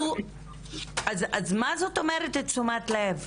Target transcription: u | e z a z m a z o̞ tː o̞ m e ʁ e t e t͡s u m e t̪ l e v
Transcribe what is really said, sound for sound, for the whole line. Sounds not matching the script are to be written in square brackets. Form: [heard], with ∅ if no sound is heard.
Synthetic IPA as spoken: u | [a] z a z m a z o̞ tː o̞ m e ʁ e t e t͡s u m [a] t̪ l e v